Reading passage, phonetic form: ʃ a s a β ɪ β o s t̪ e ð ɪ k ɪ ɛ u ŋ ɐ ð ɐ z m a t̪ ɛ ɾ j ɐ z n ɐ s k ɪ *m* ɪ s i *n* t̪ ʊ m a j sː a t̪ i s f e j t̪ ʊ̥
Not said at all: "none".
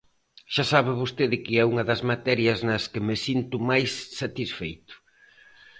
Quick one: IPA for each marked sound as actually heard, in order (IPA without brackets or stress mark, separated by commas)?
m, n